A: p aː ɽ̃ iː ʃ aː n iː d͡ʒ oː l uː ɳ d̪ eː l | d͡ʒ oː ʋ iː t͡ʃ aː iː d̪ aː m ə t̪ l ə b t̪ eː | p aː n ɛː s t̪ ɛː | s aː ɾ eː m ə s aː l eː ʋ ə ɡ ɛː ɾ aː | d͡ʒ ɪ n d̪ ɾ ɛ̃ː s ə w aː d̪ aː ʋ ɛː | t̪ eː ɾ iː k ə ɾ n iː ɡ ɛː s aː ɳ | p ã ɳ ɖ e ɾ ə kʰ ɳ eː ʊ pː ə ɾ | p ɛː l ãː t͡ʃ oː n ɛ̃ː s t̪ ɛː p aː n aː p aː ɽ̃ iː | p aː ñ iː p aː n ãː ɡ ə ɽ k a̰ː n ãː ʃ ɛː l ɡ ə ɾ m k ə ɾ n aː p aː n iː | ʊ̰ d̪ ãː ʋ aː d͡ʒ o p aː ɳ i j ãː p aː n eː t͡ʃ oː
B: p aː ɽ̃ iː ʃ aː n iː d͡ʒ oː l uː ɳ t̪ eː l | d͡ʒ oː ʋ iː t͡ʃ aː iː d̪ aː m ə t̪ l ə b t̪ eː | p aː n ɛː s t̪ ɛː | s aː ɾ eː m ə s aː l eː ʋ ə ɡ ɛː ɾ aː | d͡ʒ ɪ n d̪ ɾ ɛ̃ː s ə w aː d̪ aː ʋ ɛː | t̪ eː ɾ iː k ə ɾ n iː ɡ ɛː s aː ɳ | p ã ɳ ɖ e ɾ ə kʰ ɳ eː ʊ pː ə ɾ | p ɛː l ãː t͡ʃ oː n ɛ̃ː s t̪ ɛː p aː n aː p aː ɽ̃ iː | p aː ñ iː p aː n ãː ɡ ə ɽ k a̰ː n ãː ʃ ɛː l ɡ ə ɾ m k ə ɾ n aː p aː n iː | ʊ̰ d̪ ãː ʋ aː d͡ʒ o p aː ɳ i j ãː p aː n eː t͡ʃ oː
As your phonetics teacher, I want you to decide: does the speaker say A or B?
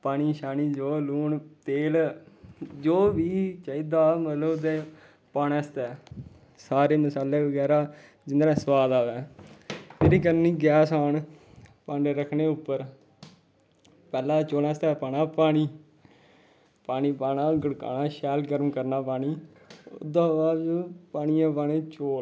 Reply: B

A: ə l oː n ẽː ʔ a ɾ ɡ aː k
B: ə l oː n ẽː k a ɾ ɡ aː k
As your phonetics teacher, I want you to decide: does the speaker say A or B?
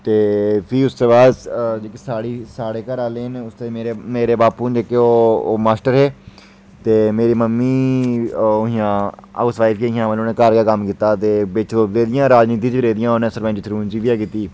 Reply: B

